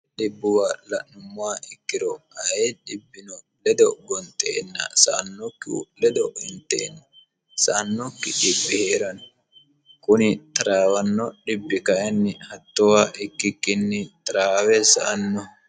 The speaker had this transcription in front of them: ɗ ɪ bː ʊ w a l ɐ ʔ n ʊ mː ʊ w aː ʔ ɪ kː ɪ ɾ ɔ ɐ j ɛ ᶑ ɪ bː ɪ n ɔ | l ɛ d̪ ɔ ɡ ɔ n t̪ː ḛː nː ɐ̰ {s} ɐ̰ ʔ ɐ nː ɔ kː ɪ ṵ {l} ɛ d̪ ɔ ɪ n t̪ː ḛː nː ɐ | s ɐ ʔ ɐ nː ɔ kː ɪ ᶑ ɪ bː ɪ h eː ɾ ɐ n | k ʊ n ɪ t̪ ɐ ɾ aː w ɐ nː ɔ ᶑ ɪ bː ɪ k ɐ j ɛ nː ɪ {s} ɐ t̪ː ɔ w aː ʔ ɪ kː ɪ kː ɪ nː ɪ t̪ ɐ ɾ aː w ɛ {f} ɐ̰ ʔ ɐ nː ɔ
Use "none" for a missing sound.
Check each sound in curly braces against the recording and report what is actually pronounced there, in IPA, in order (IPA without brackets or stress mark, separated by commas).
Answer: s, l, h, s